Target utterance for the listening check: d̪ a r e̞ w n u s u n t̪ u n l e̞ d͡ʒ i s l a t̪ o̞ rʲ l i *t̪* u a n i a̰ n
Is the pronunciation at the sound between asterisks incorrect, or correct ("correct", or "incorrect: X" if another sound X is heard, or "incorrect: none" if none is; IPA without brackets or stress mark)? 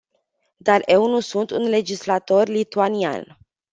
correct